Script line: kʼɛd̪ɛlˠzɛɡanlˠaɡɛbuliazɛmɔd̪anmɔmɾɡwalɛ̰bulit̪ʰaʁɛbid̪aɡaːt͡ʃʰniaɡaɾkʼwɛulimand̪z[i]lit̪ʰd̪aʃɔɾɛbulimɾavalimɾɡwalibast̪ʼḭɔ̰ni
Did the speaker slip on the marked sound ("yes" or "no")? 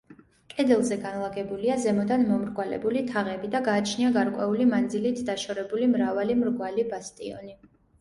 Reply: no